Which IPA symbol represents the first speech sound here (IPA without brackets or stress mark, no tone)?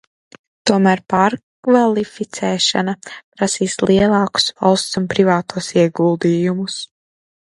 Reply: t̪